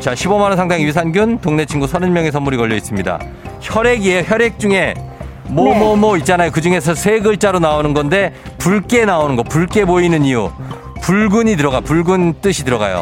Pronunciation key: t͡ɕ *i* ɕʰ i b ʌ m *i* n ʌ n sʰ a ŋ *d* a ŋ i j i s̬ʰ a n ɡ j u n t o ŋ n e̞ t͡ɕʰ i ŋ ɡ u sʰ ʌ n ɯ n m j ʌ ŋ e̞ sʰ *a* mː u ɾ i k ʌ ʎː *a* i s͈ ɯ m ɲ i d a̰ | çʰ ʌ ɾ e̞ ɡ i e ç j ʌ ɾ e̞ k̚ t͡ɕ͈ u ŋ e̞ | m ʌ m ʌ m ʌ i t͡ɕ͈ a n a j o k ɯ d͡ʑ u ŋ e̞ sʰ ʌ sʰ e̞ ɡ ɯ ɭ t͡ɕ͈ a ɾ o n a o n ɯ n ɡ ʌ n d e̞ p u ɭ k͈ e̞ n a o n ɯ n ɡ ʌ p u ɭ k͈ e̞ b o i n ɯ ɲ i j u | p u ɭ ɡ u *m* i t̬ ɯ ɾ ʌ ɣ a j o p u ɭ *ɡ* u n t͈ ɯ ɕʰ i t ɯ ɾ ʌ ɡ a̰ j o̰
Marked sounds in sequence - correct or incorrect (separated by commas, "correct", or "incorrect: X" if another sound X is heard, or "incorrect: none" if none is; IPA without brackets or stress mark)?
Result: incorrect: a, incorrect: a, correct, incorrect: ʌ, incorrect: ʌ, incorrect: ɲ, correct